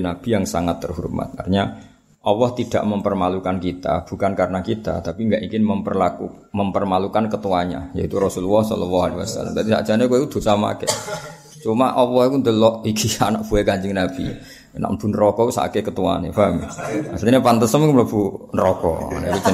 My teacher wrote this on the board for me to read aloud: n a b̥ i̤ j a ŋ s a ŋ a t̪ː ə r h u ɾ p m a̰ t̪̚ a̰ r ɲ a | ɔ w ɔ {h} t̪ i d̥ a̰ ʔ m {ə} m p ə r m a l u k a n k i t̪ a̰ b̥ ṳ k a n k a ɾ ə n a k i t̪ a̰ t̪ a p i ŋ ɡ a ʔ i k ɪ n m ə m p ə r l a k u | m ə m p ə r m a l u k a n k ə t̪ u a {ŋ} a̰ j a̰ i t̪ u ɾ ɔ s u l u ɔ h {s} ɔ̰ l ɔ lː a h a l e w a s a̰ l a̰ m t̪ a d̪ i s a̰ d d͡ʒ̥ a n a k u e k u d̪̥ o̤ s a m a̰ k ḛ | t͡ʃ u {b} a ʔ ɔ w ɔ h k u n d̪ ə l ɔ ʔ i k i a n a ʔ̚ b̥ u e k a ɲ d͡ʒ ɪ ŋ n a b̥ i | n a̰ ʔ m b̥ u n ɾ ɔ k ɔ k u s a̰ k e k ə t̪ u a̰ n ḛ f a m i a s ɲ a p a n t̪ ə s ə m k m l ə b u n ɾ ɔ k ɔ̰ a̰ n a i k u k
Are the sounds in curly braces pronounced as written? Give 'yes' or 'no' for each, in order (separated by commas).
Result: yes, yes, no, yes, no